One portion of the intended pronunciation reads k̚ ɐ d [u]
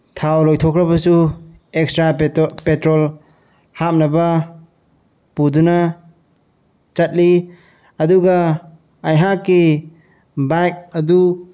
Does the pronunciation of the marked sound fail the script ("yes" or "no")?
no